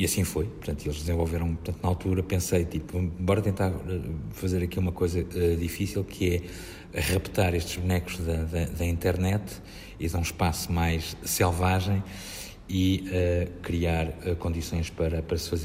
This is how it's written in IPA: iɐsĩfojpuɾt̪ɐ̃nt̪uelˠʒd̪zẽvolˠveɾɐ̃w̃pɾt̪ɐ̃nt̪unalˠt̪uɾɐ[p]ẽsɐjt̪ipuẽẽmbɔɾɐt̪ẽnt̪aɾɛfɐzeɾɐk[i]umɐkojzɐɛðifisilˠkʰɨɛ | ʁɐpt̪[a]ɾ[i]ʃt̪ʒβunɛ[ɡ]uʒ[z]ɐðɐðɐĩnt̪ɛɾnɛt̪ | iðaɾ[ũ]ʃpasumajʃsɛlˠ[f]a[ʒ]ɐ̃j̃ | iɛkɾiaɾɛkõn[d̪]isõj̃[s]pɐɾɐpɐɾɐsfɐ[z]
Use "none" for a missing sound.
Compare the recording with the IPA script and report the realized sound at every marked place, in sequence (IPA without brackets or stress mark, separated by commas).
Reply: p, i, a, e, k, ð, ũ, v, ʒ, d̪, ʃ, z